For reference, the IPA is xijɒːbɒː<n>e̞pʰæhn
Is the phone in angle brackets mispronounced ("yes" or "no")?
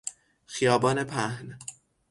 no